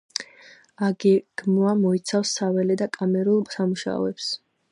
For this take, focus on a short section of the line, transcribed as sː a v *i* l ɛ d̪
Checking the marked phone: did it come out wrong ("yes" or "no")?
yes